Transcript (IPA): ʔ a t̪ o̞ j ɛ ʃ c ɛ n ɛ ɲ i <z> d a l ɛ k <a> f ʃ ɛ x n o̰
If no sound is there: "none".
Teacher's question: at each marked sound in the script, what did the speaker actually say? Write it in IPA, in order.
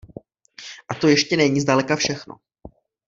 z, a

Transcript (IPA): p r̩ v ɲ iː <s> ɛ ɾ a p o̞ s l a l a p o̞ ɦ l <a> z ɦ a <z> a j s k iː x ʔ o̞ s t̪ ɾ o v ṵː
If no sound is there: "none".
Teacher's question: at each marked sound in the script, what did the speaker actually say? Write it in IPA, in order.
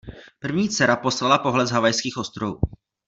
t͡s, ɛ, v

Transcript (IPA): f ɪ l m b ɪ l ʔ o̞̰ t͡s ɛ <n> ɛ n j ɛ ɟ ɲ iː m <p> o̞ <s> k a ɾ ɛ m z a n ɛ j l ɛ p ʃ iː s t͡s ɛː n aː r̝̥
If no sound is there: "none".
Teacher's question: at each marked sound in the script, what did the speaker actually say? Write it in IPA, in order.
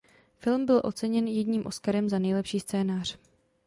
ɲ, ʔ, s

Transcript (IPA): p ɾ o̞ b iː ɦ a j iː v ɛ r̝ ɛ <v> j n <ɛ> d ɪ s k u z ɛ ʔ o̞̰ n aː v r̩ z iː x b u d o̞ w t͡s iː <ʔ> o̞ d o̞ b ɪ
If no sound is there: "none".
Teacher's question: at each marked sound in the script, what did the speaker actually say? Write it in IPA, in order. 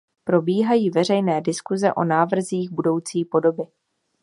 none, ɛː, p

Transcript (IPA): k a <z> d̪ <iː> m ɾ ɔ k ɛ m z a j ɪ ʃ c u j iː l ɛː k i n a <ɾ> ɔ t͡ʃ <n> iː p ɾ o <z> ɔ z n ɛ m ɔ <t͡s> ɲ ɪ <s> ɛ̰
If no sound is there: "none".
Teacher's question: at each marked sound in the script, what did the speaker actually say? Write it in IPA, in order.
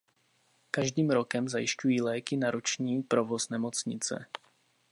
ʒ, iː, ɾ, ɲ, v, t͡s, t͡s

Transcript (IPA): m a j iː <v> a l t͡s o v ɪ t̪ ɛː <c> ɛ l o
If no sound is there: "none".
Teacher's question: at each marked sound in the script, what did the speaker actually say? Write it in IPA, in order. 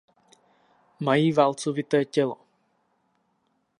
v, c

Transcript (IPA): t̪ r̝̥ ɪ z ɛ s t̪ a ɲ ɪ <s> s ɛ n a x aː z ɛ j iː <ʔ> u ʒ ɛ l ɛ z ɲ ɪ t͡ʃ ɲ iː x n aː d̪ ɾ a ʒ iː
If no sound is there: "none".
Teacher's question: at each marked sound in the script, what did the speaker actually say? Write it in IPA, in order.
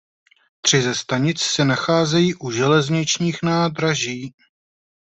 t͡s, ʔ

